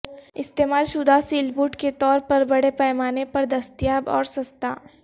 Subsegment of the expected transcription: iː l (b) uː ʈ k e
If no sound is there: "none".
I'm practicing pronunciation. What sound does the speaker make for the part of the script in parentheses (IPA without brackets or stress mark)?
b